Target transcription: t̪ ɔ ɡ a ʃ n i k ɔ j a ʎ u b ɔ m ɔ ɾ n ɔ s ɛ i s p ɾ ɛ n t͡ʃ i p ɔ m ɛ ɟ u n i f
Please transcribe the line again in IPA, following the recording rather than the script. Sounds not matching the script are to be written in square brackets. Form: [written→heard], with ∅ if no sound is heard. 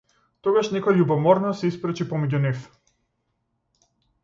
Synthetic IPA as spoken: t̪ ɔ ɡ a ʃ n [i→ɛ] k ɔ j a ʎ u b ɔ m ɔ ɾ n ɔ s ɛ i s p ɾ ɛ [n→∅] t͡ʃ i p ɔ m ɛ ɟ u n i f